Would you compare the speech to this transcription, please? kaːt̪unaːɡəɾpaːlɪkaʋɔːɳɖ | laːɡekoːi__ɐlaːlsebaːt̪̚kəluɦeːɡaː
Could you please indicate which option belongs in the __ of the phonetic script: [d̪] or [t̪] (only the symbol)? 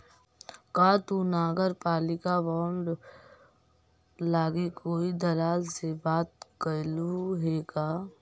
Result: d̪